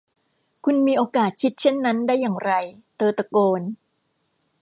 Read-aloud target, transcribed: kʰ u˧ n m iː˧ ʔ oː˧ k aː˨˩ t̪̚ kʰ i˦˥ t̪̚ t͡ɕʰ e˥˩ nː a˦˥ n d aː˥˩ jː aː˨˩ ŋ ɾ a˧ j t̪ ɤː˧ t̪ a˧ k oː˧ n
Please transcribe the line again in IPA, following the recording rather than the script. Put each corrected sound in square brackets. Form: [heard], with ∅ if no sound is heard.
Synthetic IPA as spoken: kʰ u˧ n m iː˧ ʔ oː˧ k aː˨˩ t̪̚ kʰ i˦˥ t̪̚ t͡ɕʰ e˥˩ nː a˦˥ n d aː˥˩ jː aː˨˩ ŋ ɾ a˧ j t̪ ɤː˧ t̪ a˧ k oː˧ n